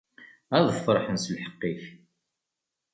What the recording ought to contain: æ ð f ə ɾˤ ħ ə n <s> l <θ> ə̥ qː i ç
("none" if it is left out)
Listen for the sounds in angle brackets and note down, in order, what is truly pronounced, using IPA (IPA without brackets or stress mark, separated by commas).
s, ħ